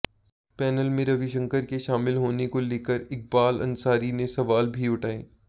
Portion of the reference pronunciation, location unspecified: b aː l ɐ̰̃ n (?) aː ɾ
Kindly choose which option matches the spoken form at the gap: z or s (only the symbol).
s